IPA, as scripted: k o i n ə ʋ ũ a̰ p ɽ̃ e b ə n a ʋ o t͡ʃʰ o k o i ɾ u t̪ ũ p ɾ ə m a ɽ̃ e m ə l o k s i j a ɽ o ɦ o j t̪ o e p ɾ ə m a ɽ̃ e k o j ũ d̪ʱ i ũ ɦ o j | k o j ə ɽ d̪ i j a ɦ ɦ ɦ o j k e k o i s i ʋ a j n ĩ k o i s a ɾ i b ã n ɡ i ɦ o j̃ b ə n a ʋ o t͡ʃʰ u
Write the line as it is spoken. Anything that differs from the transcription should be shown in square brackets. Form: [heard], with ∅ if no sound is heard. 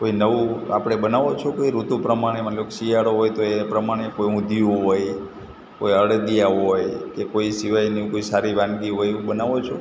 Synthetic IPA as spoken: k o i n ə ʋ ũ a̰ p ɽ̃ e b ə n a ʋ o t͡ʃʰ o k o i ɾ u t̪ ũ p ɾ ə m a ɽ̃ e m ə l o k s i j a ɽ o ɦ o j t̪ o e p ɾ ə m a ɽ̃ e k o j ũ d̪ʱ i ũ ɦ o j | k o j ə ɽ d̪ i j a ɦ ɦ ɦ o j k e k o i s i ʋ a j n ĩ k o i s a ɾ i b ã n ɡ i ɦ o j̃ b ə n a ʋ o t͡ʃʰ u